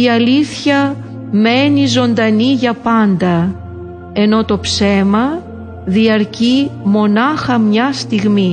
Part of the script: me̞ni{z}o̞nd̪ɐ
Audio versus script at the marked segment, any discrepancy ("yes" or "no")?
no